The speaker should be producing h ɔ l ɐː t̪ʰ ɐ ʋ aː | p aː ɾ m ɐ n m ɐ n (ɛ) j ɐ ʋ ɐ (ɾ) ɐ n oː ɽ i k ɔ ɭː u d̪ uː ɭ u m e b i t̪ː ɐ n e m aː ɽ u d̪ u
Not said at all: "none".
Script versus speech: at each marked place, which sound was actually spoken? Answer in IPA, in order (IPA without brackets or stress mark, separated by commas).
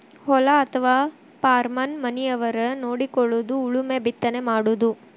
i, ɾ